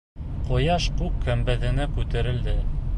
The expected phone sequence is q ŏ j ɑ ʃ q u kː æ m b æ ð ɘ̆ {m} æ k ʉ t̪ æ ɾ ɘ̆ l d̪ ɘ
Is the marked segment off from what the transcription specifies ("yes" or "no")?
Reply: yes